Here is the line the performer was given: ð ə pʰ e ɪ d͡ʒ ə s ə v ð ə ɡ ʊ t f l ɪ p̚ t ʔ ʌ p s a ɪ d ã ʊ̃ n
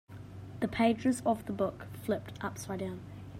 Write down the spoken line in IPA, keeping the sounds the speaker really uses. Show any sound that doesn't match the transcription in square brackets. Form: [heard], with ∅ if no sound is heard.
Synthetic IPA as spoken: ð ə pʰ e ɪ d͡ʒ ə [z] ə v ð ə [b] ʊ [k] f l ɪ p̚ t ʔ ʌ p s a ɪ d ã ʊ̃ n